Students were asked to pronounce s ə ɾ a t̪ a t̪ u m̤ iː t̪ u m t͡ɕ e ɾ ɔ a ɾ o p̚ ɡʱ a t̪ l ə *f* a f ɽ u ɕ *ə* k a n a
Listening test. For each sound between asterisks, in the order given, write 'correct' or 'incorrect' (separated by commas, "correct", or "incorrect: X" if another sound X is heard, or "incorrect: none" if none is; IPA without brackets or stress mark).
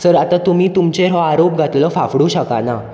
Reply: correct, correct